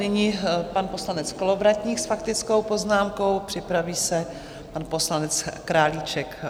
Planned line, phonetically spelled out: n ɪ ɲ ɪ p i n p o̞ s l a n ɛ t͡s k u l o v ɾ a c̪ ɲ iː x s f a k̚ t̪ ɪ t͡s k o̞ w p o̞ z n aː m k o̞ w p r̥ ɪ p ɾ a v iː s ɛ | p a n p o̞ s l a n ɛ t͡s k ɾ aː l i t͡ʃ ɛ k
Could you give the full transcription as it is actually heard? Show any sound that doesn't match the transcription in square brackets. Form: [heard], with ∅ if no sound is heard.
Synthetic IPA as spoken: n ɪ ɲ ɪ p [a] n p o̞ s l a n ɛ t͡s k [o] l o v ɾ a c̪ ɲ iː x s f a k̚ t̪ ɪ t͡s k o̞ w p o̞ z n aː m k o̞ w p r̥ ɪ p ɾ a v iː s ɛ | p a n p o̞ s l a n ɛ t͡s k ɾ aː l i t͡ʃ ɛ k